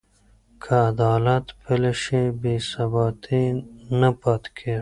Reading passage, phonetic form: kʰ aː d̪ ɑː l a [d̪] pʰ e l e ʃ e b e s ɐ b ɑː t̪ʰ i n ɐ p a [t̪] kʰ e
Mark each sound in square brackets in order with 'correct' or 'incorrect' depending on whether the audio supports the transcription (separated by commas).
incorrect, correct